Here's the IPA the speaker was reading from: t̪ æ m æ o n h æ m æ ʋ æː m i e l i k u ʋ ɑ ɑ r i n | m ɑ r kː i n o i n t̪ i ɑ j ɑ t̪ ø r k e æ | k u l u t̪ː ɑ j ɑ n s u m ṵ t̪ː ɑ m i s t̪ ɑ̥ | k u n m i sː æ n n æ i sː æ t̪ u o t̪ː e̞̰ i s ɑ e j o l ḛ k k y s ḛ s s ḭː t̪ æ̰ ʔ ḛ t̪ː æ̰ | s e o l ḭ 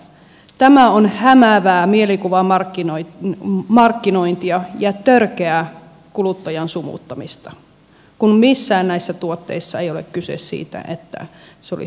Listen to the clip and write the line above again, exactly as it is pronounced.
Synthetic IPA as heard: t̪ æ m æ o n h æ m æ ʋ æː m i e l i k u ʋ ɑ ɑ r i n | m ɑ r kː i n o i n t̪ i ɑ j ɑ t̪ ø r k e æ | k u l u t̪ː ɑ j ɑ n s u m ṵ t̪ː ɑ m i s t̪ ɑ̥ | k u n m i sː æː n n æ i sː æ t̪ u o t̪ː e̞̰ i sː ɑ e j o l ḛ k k y s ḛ s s ḭː t̪ æ̰ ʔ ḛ t̪ː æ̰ | s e o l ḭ